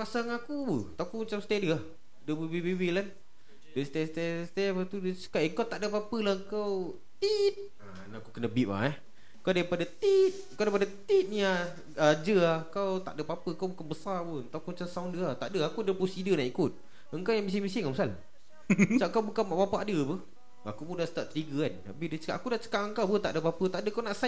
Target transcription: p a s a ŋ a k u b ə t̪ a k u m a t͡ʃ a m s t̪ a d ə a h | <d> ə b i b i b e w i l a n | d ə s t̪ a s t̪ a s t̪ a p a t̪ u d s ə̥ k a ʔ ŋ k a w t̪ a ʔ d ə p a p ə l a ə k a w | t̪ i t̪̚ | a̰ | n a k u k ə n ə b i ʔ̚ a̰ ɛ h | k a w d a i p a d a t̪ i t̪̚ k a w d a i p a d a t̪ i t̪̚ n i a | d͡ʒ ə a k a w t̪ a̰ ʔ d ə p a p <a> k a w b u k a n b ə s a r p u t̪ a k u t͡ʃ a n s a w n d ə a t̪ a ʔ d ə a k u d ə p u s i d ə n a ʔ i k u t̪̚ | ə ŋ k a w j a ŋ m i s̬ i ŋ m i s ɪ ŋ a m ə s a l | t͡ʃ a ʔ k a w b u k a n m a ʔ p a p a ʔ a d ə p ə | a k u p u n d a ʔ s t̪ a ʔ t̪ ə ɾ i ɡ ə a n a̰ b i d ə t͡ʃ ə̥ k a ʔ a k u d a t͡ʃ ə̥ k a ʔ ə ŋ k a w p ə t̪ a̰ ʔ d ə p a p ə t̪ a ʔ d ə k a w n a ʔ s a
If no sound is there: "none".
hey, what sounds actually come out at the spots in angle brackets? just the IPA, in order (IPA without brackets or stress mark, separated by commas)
d, ə